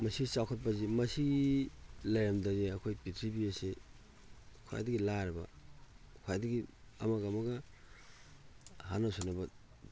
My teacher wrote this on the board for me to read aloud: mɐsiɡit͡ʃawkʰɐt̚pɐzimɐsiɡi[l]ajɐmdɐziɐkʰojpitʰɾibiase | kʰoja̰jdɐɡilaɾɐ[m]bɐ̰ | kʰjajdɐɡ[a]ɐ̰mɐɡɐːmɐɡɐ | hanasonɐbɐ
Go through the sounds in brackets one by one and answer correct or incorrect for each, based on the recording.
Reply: correct, incorrect, incorrect

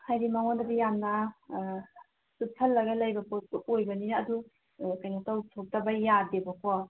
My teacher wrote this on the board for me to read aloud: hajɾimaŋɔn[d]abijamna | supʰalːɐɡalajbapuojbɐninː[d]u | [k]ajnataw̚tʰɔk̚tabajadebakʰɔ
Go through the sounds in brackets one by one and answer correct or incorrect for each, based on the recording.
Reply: correct, correct, correct

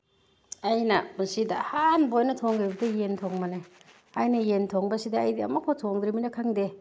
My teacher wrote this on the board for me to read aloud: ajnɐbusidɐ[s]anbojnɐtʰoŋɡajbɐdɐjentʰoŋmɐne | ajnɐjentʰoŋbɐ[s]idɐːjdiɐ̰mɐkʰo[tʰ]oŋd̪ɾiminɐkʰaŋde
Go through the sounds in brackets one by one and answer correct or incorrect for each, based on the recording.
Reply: incorrect, correct, correct

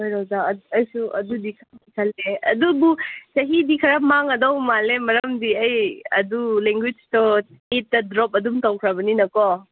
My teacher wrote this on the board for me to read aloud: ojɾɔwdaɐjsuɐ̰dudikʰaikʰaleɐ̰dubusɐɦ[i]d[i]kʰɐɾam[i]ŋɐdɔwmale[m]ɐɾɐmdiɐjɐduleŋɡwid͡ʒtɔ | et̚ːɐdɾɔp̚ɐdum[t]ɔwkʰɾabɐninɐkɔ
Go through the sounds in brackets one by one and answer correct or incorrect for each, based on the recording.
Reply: correct, correct, incorrect, correct, correct

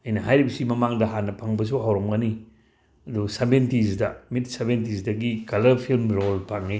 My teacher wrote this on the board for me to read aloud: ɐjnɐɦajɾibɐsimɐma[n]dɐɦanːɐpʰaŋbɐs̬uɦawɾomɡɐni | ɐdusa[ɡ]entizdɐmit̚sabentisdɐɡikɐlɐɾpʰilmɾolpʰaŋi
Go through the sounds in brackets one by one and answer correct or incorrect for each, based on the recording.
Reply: incorrect, incorrect

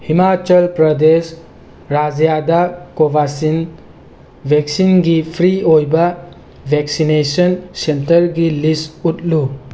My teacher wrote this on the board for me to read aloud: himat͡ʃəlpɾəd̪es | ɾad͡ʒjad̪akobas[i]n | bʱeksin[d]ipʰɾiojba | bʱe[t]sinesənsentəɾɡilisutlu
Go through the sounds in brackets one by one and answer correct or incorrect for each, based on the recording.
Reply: correct, incorrect, incorrect

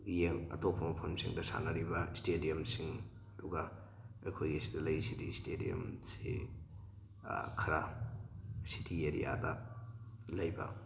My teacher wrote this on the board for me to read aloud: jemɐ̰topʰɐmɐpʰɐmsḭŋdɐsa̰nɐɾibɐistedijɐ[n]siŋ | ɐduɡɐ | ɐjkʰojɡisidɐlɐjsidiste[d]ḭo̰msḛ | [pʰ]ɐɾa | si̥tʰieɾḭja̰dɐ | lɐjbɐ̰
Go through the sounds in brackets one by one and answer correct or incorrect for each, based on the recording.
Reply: incorrect, correct, incorrect

